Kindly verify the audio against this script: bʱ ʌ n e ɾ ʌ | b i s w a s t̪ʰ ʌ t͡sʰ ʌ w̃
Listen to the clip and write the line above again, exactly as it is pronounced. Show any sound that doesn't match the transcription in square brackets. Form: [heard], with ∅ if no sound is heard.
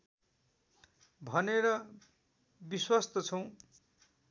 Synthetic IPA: bʱ ʌ n e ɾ ʌ | b i s w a s [t̪] ʌ t͡sʰ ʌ w̃